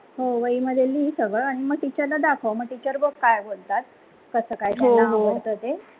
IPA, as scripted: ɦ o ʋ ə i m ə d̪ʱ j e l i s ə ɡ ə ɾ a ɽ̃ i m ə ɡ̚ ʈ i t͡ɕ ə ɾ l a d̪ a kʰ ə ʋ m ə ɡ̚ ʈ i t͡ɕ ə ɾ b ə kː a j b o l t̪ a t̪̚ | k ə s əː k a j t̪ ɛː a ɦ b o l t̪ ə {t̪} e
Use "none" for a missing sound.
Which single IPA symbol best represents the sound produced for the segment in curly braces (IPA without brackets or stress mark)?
t̪